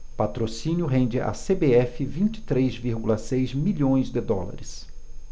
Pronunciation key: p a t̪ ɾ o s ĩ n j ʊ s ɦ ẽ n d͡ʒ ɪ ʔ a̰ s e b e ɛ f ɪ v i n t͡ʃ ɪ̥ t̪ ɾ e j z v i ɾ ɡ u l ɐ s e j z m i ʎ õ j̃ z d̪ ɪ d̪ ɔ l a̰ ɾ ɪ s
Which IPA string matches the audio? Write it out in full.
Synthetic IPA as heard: p a t̪ ɾ o s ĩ n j ʊ ɦ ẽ n d͡ʒ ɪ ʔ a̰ s e b e ɛ f ɪ v ĩ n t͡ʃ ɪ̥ t̪ ɾ e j z v i ɾ ɡ u l ɐ s e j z m i ʎ õ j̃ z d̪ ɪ d̪ ɔ l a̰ ɾ ɪ s